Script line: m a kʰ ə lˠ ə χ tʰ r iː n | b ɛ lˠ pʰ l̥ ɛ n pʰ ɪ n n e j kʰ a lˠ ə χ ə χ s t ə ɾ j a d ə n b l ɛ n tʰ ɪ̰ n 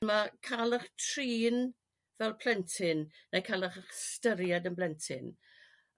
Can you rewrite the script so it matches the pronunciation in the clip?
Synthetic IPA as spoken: m a kʰ a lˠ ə χ tʰ r iː n | v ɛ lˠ pʰ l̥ ɛ n tʰ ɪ n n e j kʰ a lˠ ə χ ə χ s t ə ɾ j a d ə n b l ɛ n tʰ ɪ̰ n